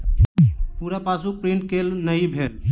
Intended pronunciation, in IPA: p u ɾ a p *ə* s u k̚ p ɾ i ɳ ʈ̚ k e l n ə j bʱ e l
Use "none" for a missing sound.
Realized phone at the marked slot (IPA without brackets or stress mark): a